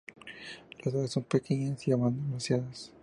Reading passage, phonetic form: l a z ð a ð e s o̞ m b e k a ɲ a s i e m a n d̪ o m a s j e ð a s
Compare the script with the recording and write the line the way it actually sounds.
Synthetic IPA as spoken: l a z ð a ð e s o̞ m p e k e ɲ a s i a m a n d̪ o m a s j a ð a s